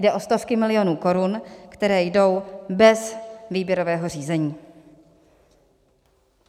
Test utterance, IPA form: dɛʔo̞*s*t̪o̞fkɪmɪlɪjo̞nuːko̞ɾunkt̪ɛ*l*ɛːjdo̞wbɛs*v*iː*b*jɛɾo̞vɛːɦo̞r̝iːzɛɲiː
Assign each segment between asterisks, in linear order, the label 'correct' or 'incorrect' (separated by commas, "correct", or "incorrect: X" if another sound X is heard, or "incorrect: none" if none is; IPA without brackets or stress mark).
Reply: correct, incorrect: ɾ, correct, correct